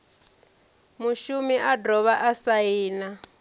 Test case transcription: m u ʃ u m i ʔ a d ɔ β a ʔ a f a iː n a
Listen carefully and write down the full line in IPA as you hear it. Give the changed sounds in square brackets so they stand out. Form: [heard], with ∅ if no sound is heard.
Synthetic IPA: m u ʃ u m i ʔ a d ɔ β a ʔ a [s] a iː n a